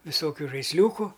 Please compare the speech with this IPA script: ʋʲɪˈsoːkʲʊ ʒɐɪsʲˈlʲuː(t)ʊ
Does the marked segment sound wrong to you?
yes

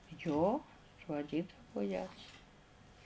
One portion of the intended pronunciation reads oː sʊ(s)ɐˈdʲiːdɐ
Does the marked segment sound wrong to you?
yes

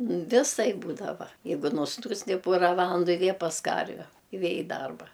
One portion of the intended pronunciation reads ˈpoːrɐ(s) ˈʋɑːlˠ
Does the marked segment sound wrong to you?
yes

